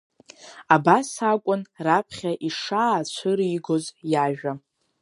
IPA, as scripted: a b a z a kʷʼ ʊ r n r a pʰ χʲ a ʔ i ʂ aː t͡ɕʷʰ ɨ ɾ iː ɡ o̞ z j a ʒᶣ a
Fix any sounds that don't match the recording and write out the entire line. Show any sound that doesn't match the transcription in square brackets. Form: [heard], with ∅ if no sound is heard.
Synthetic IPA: a b a [s] a kʷʼ ʊ [∅] n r a pʰ χʲ a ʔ i ʂ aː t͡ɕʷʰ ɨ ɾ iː ɡ o̞ z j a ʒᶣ a